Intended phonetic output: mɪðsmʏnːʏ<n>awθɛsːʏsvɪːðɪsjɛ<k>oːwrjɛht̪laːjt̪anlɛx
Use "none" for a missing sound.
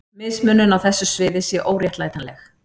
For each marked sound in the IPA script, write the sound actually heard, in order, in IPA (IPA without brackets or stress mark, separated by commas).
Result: n, ʔ